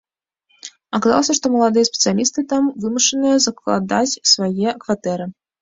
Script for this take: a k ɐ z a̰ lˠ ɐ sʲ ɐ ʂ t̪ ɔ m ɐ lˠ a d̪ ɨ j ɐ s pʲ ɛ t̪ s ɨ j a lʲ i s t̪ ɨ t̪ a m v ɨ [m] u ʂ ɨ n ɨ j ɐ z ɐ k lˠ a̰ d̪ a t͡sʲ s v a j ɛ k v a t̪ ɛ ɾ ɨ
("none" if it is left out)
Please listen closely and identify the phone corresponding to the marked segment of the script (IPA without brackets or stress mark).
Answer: m